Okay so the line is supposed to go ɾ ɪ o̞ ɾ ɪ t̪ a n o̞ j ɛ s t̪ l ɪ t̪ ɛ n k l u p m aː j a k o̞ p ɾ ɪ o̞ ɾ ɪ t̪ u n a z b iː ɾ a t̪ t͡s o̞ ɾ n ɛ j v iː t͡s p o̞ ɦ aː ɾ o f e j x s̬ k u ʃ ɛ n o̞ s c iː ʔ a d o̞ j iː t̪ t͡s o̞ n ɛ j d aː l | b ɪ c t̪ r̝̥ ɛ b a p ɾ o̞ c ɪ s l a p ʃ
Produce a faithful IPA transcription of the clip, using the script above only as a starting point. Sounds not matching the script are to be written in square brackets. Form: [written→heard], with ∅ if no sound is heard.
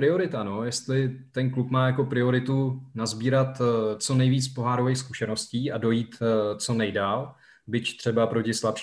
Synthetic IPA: ɾ ɪ o̞ ɾ ɪ t̪ a n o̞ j ɛ s t̪ l ɪ t̪ ɛ n k l u p m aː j a k o̞ p ɾ ɪ o̞ ɾ ɪ t̪ u n a z b iː ɾ a t̪ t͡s o̞ [ɾ→∅] n ɛ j v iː t͡s p o̞ ɦ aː ɾ o [f→v] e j x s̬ k u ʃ ɛ n o̞ s c iː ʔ a d o̞ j iː t̪ t͡s o̞ n ɛ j d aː l | b ɪ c t̪ r̝̥ ɛ b a p ɾ o̞ c ɪ s l a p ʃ